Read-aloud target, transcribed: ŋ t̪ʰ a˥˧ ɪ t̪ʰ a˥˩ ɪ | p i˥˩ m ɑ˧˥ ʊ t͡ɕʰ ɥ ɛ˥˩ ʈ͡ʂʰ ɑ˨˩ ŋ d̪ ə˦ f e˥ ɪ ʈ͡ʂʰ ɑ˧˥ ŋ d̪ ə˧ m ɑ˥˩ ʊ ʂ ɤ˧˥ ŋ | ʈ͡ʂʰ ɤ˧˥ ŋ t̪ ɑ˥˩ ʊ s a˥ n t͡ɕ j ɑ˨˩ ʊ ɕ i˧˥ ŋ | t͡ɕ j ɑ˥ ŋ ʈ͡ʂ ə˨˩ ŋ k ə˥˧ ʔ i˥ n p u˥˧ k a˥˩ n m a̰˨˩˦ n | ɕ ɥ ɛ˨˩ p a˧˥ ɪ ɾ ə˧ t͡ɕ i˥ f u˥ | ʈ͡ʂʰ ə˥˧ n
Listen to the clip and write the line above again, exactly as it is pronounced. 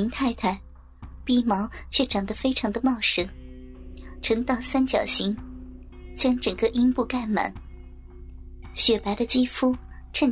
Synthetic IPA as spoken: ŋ t̪ʰ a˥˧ ɪ t̪ʰ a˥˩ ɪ | p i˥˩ m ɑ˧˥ ʊ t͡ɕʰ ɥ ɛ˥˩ ʈ͡ʂ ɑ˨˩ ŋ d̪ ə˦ f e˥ ɪ ʈ͡ʂʰ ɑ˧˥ ŋ d̪ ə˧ m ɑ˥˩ ʊ ʂ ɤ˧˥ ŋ | ʈ͡ʂʰ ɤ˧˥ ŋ t̪ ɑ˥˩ ʊ s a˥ n t͡ɕ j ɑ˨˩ ʊ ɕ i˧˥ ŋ | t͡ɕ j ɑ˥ ŋ ʈ͡ʂ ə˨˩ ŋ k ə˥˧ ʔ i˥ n p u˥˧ k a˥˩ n m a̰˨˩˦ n | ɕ ɥ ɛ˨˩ p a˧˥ ɪ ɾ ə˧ t͡ɕ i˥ f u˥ | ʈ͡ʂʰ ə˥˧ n